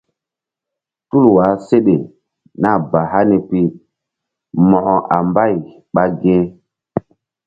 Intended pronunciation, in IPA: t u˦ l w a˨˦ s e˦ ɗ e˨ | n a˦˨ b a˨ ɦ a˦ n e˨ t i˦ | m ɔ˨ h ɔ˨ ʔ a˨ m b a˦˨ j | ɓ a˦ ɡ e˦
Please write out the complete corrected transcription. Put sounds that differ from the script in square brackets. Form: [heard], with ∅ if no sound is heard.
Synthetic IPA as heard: t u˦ l w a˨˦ s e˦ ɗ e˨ | n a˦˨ b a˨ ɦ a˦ n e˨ [p] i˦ | m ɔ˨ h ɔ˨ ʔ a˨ m b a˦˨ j | ɓ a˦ ɡ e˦